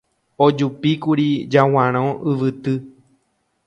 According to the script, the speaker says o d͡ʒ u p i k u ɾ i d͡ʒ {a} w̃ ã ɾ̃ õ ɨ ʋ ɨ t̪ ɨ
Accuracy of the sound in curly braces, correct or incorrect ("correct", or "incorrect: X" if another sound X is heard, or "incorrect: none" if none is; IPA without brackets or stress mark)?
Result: correct